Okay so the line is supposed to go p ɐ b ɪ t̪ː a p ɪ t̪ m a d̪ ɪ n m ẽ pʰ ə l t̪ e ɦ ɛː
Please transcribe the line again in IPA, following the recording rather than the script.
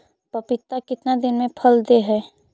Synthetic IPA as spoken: p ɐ p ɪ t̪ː a k ɪ t̪ n a d̪ ɪ n m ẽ pʰ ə l d̪ e ɦ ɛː